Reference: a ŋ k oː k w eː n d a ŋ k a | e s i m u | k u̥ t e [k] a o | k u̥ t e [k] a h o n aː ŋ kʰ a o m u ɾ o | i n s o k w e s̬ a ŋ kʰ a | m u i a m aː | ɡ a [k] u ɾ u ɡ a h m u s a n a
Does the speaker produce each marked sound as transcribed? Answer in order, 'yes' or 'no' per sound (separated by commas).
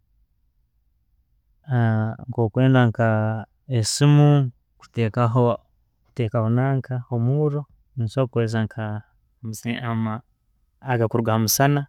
yes, yes, yes